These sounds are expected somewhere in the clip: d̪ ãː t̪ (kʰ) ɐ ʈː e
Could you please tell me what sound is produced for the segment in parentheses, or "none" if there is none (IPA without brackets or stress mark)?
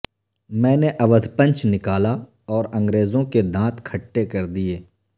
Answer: kʰ